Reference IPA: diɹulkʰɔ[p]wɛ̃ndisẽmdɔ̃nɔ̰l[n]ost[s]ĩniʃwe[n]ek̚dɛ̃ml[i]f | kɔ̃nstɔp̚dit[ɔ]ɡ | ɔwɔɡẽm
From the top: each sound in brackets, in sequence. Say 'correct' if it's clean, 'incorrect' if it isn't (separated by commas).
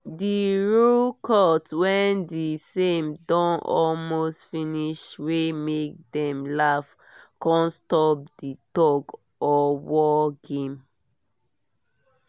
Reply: incorrect, incorrect, incorrect, incorrect, incorrect, correct